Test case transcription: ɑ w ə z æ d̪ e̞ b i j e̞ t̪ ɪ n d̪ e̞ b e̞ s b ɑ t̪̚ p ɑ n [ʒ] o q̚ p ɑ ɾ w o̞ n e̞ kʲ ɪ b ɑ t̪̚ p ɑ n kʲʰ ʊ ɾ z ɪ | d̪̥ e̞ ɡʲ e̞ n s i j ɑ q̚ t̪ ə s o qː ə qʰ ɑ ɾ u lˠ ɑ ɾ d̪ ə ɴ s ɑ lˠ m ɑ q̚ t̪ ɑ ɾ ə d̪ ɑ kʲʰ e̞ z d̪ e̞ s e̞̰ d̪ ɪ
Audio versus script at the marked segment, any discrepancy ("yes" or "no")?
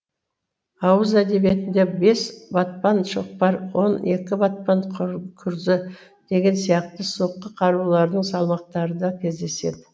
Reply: yes